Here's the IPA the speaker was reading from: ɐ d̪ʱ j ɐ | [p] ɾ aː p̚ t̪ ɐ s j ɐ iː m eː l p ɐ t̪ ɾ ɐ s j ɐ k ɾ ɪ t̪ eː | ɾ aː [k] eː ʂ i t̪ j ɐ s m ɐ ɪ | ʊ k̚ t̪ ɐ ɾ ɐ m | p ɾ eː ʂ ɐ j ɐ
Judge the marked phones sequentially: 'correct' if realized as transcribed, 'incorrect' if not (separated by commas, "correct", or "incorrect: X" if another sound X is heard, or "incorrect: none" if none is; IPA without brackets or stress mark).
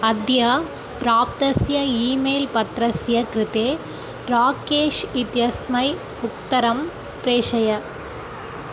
correct, correct